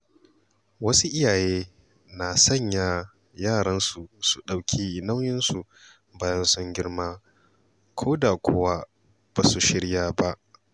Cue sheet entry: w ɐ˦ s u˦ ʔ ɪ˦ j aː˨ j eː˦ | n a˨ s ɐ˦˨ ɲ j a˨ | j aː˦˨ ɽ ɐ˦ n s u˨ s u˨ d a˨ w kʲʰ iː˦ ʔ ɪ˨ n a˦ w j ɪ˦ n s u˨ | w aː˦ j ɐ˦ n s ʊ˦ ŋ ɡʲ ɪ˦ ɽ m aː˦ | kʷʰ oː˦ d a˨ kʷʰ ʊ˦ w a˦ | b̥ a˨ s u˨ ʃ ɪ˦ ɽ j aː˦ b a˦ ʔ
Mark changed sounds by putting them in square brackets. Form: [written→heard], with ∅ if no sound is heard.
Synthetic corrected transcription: w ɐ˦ s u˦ ʔ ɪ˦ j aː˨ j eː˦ | n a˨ s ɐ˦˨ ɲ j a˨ | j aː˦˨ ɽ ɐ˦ n s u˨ s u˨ [d→ɗ] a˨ w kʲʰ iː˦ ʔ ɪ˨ n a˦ w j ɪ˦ n s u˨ | [w→b] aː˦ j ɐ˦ n s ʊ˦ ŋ ɡʲ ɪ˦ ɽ m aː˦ | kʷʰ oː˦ d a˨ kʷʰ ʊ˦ w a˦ | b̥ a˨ s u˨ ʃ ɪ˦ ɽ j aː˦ b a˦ ʔ